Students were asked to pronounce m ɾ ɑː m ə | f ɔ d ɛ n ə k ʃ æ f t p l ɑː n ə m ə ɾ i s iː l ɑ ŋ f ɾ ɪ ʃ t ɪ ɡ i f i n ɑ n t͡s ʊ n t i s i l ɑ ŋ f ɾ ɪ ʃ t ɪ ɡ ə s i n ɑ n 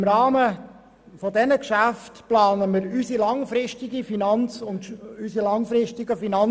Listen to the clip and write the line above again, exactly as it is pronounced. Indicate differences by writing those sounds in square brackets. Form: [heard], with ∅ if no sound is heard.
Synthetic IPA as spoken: m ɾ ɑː m ə | f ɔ d ɛ n ə k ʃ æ f t p l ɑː n ə m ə ɾ [y] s [i] l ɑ ŋ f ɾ ɪ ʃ t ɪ ɡ i f i n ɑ n t͡s ʊ n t [y] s i l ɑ ŋ f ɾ ɪ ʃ t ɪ ɡ ə [f] i n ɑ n